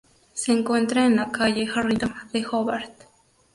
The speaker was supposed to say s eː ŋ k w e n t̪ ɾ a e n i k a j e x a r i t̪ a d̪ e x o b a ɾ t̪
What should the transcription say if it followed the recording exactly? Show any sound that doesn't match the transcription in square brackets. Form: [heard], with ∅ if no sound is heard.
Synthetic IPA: s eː ŋ k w e n t̪ ɾ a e n [a] k a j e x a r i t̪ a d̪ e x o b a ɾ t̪